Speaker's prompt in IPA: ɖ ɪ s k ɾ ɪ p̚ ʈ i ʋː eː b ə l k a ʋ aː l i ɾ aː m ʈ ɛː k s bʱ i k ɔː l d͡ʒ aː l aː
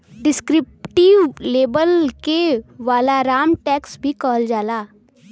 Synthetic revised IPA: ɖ ɪ s k ɾ ɪ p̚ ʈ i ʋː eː b ə l k e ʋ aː l a ɾ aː m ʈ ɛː k s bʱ i k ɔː l d͡ʒ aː l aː